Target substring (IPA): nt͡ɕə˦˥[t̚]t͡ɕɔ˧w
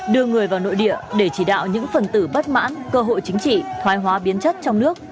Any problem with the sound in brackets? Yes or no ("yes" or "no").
no